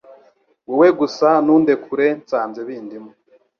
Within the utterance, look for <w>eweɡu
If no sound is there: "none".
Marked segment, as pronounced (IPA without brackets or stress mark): w